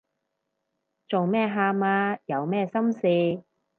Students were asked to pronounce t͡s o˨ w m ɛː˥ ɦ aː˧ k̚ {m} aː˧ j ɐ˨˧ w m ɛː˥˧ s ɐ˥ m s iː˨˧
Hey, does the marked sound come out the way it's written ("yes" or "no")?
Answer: yes